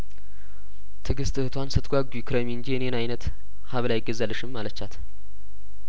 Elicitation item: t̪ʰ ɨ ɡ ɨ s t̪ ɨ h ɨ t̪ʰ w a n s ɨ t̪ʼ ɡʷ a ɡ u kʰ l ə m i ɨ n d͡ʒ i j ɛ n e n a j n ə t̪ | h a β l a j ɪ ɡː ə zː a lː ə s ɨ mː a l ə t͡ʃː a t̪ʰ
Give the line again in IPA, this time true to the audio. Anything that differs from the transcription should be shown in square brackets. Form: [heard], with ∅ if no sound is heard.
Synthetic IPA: t̪ʰ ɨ ɡ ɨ s t̪ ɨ h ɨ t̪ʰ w a n s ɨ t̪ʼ ɡʷ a ɡ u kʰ [ɾ] ə m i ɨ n d͡ʒ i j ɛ n e n a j n ə t̪ | h a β l a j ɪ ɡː ə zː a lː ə [ʃ] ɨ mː a l ə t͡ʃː a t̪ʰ